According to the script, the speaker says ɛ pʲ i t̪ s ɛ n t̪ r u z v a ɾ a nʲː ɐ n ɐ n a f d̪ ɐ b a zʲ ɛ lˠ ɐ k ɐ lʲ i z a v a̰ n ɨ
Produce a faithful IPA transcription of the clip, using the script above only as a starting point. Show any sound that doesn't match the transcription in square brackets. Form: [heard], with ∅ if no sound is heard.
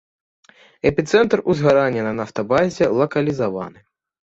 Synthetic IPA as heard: ɛ pʲ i t̪ s ɛ n t̪ r u z [ɣ] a ɾ a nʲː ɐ n ɐ n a f [t̪] ɐ b a zʲ ɛ lˠ ɐ k ɐ lʲ i z a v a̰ n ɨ